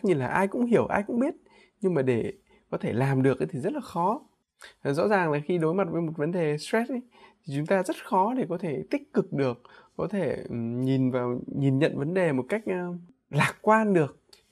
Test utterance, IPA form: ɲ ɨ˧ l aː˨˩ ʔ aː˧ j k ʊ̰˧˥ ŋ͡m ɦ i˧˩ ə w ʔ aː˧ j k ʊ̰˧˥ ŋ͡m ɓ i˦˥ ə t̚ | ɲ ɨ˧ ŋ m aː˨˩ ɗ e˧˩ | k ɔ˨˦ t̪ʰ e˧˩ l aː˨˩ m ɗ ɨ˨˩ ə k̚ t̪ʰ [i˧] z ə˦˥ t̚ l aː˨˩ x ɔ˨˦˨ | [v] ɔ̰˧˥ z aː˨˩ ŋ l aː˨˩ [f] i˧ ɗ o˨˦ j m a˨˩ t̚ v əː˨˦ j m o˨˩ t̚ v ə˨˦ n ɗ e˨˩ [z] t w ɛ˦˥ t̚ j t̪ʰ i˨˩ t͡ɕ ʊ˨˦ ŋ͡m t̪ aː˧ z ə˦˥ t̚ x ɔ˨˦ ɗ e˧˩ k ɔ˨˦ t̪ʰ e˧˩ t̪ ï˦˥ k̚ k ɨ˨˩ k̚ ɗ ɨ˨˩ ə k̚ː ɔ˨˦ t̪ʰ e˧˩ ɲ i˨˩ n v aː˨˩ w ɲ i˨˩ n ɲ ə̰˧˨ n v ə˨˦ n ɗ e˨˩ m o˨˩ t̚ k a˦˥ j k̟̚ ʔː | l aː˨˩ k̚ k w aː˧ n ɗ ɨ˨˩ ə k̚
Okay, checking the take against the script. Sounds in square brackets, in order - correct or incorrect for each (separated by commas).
incorrect, incorrect, incorrect, incorrect